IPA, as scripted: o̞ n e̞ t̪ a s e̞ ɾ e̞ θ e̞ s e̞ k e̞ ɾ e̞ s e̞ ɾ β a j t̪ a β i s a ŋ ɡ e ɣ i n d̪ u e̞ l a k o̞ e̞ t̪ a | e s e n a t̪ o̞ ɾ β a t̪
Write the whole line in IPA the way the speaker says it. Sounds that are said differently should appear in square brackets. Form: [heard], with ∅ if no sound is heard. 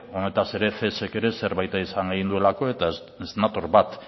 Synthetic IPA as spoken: o̞ n e̞ t̪ a s e̞ ɾ e̞ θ e̞ s e̞ k e̞ ɾ e̞ s e̞ ɾ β a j t̪ a [∅] i s a ŋ ɡ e ɣ i n d̪ u e̞ l a k o̞ e̞ t̪ a | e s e n a t̪ o̞ ɾ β a t̪